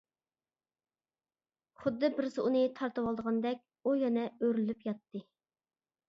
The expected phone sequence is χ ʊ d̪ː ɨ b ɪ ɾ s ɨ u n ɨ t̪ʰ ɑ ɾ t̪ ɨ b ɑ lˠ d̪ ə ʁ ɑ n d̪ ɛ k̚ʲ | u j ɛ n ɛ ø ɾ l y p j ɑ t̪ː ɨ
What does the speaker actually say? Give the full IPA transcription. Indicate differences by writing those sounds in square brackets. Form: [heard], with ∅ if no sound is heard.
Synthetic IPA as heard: χ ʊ d̪ː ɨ b ɪ ɾ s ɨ u n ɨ t̪ʰ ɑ ɾ t̪ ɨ [w] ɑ lˠ d̪ ə ʁ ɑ n d̪ ɛ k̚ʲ | u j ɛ n ɛ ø ɾ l y p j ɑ t̪ː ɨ